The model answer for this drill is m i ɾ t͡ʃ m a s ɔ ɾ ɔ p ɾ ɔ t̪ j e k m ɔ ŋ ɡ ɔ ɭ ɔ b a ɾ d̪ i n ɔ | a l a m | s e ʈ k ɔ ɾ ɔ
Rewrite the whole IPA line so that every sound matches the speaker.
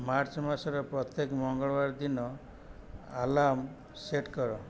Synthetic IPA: m a ɾ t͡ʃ m a s ɔ ɾ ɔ p ɾ ɔ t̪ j e k m ɔ ŋ ɡ ɔ ɭ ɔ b a ɾ d̪ i n ɔ | a l a m | s e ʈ k ɔ ɾ ɔ